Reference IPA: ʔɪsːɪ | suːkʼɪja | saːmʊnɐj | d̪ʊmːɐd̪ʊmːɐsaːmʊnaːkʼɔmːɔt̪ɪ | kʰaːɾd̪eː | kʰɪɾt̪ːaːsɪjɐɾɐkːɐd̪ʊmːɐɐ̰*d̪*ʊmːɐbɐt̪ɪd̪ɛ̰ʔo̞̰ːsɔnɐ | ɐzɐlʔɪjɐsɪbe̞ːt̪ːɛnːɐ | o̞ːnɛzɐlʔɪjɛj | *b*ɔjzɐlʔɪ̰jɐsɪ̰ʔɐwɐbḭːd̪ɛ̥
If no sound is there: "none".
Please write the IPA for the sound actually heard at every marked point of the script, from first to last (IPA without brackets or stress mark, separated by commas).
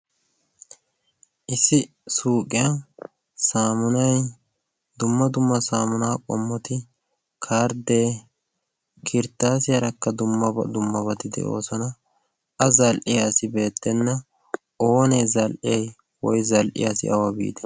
d̪, w